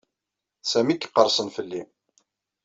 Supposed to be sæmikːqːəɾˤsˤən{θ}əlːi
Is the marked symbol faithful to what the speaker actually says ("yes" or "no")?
no